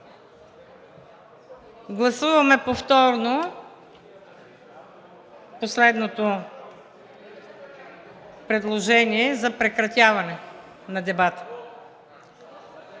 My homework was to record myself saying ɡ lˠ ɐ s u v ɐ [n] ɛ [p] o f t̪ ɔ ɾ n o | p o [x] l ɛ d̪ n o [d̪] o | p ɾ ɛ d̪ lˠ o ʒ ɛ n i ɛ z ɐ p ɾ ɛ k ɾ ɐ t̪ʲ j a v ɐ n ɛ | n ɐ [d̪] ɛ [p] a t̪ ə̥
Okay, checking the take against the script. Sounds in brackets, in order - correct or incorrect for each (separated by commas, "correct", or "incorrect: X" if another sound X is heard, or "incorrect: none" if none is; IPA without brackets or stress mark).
incorrect: m, correct, incorrect: s, incorrect: t̪, correct, incorrect: b